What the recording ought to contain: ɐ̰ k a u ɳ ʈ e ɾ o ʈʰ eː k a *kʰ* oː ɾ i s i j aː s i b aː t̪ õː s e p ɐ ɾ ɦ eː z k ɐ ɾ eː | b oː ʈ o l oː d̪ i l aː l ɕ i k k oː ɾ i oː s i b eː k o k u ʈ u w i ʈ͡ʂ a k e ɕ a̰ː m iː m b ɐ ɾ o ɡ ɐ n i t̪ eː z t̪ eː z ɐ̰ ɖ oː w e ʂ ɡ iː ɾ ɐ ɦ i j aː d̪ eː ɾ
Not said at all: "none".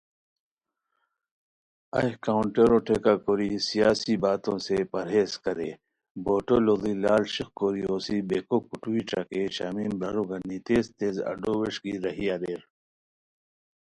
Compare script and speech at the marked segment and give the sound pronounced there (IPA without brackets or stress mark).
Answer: k